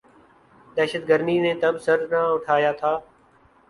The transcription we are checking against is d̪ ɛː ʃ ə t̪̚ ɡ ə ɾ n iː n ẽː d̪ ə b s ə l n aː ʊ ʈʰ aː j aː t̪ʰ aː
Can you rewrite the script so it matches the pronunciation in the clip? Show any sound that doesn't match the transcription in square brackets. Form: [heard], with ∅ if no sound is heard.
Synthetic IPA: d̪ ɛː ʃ ə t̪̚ ɡ ə ɾ n iː n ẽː [t̪] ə b s ə [ɾ] n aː ʊ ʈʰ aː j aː t̪ʰ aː